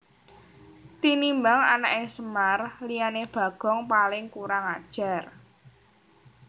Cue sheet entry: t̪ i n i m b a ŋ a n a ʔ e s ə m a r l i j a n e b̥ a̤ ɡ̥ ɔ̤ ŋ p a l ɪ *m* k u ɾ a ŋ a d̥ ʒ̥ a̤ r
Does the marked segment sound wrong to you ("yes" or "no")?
yes